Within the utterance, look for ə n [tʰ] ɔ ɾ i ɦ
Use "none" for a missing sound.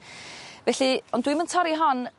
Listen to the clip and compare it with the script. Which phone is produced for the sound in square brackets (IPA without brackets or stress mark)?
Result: tʰ